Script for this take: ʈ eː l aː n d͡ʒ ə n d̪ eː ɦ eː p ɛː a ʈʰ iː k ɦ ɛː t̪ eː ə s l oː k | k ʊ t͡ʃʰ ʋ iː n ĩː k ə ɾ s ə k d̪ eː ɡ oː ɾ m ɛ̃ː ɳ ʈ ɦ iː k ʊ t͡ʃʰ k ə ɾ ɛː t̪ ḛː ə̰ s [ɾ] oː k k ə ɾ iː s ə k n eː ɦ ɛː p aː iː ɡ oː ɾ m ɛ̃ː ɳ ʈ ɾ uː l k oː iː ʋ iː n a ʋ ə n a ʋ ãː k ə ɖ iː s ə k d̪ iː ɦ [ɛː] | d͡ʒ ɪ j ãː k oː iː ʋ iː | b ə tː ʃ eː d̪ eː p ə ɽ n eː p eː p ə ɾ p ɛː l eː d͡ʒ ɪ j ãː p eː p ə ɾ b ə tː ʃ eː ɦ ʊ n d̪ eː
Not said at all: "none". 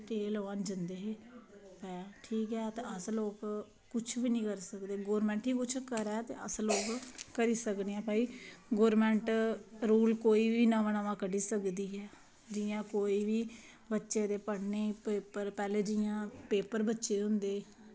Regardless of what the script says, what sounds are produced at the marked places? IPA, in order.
l, ɛː

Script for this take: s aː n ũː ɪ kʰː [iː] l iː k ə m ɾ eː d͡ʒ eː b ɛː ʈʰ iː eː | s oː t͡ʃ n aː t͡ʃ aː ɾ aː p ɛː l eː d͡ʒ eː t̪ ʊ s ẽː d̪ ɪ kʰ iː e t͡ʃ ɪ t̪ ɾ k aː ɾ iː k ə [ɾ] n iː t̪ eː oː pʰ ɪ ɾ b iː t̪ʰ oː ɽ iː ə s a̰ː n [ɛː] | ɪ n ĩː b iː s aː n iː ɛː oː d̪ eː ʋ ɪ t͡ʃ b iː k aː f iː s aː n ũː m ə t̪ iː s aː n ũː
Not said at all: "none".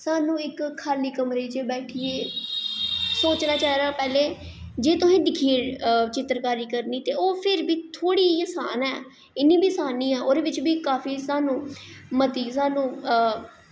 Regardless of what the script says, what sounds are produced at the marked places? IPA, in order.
aː, ɾ, ɛː

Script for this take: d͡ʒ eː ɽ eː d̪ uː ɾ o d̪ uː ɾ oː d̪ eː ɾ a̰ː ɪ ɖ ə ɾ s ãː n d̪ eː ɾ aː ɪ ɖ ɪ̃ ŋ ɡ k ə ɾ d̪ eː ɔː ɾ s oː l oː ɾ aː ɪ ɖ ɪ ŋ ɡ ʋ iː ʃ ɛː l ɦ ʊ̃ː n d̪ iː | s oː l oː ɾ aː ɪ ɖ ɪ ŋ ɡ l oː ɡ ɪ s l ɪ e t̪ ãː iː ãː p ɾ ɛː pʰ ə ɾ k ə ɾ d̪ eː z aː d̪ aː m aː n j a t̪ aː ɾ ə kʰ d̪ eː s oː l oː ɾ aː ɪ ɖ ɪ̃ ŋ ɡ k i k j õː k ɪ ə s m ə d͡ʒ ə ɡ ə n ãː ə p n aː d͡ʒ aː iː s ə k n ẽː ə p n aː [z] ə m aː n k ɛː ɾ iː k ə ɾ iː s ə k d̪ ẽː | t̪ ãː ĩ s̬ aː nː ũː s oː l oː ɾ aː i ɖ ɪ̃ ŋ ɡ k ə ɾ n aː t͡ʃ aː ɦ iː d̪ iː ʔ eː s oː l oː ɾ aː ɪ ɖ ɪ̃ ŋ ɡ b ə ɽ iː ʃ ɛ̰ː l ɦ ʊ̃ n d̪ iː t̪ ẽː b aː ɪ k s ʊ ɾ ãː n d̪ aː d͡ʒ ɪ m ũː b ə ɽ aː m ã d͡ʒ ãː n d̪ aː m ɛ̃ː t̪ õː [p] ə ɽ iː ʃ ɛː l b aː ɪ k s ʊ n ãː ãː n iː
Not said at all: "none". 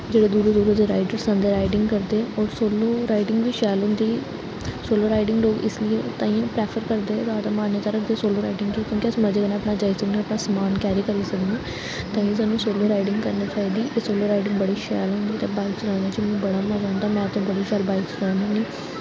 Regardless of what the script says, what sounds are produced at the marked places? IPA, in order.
s, b

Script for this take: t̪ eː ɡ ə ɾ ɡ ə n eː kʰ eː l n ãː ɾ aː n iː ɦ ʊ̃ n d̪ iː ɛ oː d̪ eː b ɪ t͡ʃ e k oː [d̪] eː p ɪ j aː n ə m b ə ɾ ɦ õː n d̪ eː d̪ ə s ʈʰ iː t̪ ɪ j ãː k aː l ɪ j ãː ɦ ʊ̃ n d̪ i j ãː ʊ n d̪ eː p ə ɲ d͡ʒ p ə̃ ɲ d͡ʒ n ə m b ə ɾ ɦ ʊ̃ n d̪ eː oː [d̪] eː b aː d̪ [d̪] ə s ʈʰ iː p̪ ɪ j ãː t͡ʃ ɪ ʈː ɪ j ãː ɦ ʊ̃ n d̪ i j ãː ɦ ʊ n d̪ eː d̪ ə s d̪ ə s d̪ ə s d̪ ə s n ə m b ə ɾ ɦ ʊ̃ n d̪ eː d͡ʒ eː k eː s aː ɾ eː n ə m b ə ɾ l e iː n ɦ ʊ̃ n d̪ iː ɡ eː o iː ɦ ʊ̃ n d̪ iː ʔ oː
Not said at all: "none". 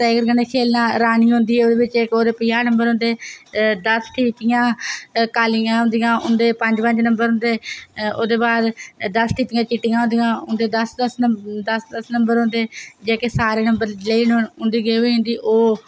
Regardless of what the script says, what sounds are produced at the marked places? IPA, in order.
d̪, d̪, d̪

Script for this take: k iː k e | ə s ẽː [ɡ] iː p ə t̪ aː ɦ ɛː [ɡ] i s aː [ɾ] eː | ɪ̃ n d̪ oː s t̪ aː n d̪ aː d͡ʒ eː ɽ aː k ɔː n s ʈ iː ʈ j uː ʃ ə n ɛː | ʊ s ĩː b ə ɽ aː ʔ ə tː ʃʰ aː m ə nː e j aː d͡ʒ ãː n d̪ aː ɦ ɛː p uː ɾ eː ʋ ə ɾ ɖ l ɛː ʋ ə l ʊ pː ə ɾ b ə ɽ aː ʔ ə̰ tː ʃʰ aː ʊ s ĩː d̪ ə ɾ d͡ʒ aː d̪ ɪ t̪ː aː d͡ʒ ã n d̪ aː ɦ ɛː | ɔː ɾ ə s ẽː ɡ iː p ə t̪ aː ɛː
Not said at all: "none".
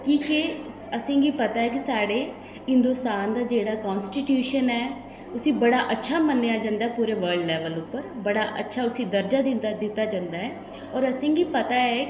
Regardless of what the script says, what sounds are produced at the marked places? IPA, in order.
ɡ, k, ɽ

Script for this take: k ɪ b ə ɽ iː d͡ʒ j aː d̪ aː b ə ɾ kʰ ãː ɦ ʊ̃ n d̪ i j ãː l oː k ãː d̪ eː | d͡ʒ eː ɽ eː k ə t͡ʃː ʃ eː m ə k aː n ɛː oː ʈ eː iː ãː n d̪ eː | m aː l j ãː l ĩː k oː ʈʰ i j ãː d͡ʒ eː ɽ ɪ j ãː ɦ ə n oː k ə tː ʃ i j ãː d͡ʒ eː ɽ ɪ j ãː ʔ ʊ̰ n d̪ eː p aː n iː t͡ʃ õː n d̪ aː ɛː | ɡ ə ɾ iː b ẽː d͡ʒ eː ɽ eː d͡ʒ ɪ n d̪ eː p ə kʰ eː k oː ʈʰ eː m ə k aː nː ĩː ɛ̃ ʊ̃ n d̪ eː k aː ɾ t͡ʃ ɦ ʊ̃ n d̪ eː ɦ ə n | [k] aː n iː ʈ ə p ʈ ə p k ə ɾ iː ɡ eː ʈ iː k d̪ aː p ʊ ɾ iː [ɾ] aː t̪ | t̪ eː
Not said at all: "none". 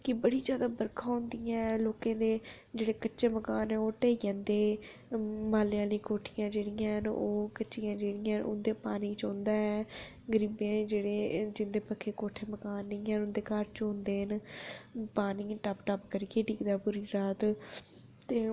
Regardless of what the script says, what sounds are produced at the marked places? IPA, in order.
p, ɾ

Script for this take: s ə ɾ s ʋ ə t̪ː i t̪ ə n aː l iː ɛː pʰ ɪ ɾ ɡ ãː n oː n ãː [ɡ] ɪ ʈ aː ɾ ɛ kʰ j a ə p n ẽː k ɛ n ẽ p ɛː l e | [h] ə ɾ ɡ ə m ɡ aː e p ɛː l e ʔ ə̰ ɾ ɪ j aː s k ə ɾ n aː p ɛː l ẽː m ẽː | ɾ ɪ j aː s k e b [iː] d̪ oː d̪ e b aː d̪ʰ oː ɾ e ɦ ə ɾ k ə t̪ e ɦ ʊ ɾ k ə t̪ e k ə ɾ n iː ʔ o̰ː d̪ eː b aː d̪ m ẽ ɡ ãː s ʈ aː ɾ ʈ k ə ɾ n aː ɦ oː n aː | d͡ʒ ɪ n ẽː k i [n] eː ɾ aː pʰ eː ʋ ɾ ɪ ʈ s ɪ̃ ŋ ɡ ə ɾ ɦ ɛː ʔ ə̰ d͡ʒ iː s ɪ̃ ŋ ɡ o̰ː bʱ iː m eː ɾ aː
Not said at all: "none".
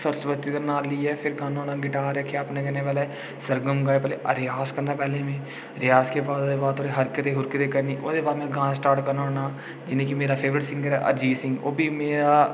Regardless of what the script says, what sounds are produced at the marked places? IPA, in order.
ɡ, s, aː, m

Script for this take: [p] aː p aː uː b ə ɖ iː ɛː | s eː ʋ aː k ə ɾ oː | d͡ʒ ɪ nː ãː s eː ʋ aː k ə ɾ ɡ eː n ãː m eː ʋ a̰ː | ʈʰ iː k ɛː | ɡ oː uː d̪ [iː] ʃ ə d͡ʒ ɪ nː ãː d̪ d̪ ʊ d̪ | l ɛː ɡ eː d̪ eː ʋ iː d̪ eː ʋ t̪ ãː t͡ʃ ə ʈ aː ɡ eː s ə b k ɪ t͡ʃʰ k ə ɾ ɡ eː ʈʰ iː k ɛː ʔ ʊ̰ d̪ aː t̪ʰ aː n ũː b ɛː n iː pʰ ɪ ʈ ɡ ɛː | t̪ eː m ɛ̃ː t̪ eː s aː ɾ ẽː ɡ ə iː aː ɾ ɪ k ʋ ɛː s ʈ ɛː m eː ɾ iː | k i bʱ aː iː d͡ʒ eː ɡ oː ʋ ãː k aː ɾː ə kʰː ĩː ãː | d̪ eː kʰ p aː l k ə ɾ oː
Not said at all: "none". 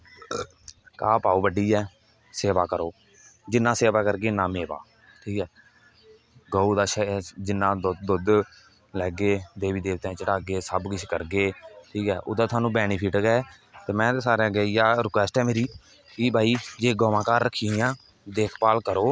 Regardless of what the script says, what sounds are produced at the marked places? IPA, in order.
k, aː

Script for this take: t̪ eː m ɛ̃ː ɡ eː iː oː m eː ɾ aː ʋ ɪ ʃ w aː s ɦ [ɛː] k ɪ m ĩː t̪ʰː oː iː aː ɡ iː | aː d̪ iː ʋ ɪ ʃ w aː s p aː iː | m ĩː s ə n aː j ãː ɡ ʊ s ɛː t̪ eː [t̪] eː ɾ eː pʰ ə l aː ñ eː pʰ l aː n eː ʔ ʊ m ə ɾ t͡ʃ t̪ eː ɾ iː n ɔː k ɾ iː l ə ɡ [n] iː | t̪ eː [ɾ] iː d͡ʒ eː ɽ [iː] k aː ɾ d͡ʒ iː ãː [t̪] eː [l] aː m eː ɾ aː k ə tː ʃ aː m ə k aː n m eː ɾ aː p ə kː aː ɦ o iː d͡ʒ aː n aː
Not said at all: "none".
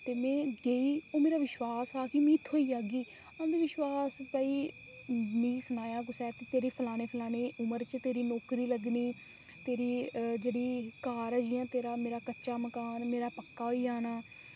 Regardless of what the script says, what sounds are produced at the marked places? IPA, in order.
aː, t̪, n, ɾ, iː, t̪, ɾ

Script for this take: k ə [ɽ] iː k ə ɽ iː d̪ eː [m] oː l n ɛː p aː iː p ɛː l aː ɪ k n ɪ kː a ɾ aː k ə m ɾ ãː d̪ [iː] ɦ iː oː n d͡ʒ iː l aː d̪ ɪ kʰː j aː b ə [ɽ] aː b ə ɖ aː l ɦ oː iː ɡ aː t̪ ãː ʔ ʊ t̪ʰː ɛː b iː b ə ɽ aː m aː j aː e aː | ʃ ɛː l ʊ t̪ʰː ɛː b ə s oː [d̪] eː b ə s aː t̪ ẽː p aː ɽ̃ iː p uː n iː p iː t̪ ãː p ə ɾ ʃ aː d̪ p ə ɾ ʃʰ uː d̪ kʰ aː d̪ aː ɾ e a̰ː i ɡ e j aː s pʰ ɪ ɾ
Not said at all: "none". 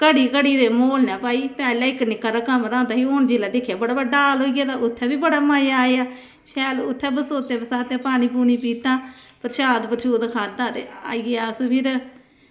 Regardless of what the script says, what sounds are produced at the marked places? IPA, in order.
ɽ, m, aː, ɽ, t̪

